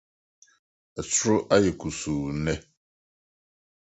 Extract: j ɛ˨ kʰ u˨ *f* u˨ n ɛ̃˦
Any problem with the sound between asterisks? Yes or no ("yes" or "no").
yes